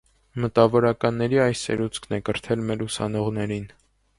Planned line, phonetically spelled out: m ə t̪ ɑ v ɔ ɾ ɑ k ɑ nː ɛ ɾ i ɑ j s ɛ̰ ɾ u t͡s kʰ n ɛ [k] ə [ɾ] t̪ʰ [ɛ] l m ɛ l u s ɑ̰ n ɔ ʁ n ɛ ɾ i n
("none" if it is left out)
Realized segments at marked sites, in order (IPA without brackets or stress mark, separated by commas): k, ɾ, ɛ